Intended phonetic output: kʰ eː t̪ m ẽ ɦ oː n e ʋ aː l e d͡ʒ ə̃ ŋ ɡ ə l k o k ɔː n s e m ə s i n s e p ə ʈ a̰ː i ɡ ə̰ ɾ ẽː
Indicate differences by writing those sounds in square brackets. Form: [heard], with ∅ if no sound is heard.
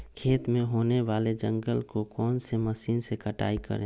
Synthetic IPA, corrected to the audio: kʰ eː t̪ m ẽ ɦ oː n e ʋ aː l e d͡ʒ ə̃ ŋ ɡ ə l k o k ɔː n s e m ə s [iː] n s e [k] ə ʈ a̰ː i [k] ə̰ ɾ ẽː